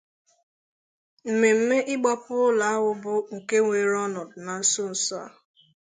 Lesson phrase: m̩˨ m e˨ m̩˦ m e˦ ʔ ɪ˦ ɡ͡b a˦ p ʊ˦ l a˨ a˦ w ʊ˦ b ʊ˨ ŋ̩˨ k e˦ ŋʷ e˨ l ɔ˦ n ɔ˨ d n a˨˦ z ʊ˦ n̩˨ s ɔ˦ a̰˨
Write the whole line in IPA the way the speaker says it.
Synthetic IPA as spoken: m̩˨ m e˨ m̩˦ m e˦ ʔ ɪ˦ ɡ͡b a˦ p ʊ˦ l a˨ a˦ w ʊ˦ b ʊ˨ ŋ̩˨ k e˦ ŋʷ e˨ ɾ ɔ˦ n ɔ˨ d n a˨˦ s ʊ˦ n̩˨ s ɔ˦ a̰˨